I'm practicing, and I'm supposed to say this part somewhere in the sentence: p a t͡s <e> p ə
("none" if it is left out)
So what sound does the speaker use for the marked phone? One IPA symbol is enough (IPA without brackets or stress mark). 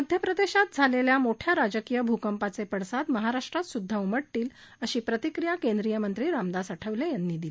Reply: e